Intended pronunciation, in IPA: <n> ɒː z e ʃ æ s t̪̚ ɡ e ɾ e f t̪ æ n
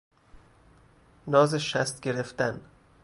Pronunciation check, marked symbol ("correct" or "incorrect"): correct